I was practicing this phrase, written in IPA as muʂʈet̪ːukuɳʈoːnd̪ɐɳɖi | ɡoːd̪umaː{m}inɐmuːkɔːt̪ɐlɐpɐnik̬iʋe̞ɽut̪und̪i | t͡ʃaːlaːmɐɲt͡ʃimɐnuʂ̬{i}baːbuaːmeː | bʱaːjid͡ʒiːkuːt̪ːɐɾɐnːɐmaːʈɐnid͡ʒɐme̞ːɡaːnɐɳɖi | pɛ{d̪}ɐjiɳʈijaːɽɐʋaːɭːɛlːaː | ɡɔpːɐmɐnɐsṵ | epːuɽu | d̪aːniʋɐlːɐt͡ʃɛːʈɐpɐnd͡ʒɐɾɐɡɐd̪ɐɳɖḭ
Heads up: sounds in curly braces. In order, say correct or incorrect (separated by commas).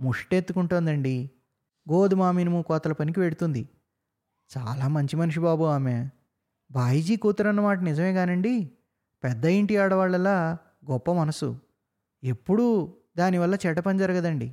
correct, correct, incorrect